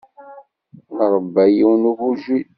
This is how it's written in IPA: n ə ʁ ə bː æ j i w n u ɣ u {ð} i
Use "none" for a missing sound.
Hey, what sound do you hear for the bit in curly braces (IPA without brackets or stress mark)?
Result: ʒ